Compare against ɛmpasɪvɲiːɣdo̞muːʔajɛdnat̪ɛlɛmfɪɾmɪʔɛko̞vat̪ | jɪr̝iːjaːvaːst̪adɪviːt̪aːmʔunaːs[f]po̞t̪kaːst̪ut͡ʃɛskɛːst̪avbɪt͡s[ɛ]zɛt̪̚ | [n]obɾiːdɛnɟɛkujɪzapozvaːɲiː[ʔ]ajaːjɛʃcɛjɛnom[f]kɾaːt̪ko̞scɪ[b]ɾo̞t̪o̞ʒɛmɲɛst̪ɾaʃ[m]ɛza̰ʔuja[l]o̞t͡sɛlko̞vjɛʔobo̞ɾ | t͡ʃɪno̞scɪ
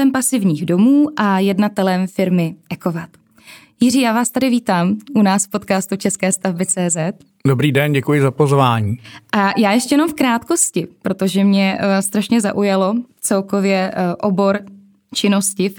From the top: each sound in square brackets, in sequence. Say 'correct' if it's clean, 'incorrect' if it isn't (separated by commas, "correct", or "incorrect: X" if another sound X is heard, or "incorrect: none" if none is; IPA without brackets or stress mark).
correct, incorrect: ɛː, incorrect: d, correct, correct, incorrect: p, incorrect: ɲ, correct